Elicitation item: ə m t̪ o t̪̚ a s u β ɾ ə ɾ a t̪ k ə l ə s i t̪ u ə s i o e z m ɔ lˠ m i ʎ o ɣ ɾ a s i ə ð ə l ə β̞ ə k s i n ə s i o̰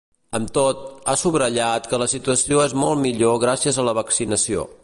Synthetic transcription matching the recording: ə m t̪ o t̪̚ a s u β ɾ ə ʎ a t̪ k ə l ə s i t̪ u ə s i o e z m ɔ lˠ m i ʎ o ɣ ɾ a s i ə z ə l ə β̞ ə k s i n ə s i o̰